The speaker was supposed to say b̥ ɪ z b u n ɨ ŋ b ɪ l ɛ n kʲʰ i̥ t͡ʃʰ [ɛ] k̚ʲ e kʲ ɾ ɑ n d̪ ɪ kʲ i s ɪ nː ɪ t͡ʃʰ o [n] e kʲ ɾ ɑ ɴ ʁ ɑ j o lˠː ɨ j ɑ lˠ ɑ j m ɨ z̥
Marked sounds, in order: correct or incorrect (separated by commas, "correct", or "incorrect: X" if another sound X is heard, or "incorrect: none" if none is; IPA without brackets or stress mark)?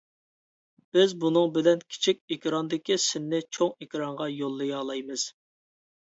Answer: incorrect: i, incorrect: ŋ